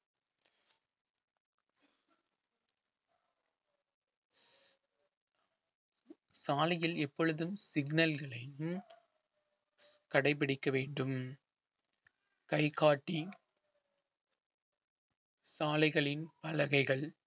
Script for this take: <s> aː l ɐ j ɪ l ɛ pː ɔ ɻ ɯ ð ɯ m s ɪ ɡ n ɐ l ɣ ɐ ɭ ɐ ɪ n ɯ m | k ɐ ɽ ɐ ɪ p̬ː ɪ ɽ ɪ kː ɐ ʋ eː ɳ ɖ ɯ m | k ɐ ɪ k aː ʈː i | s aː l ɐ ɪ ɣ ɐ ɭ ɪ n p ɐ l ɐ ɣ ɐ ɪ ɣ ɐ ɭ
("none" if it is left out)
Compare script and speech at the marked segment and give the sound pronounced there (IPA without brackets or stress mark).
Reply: s